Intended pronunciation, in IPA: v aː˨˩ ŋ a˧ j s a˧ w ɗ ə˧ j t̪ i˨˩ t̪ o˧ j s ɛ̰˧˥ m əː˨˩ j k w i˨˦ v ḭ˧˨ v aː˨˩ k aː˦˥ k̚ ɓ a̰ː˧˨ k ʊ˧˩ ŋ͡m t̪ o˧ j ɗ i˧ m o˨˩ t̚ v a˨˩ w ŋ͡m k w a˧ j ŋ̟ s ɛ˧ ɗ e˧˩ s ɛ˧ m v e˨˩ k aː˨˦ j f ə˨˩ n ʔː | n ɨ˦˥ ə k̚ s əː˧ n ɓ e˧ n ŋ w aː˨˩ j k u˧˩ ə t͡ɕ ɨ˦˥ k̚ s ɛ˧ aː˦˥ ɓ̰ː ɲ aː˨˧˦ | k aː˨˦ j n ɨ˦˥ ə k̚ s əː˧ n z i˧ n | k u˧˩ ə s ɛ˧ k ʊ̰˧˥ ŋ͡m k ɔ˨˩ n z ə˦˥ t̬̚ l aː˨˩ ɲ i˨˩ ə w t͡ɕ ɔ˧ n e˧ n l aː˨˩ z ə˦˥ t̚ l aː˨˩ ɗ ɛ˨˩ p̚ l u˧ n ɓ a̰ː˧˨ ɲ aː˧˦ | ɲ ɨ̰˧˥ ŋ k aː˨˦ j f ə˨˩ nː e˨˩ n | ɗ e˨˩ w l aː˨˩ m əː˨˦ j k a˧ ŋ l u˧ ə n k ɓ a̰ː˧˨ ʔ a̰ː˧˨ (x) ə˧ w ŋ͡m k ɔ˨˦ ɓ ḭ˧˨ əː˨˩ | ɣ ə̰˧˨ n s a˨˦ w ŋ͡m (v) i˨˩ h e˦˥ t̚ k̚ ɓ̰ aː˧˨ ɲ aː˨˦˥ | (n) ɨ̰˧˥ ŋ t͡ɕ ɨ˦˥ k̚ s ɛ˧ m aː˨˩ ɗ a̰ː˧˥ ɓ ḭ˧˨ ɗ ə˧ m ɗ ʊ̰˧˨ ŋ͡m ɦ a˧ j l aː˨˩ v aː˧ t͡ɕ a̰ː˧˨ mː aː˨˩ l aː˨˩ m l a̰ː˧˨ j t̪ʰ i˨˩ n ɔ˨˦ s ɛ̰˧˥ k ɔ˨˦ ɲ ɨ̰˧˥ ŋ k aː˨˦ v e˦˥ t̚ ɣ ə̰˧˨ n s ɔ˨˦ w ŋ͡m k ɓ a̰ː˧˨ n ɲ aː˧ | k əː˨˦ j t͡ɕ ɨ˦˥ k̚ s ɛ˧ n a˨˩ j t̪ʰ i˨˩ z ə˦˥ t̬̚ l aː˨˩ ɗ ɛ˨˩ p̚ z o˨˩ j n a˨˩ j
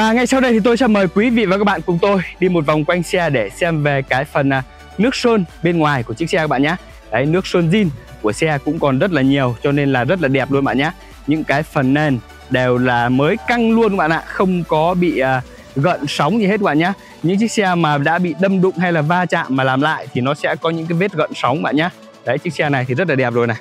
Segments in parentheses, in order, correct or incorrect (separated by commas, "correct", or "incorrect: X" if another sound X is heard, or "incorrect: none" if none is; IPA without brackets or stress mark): correct, incorrect: z, incorrect: ɲ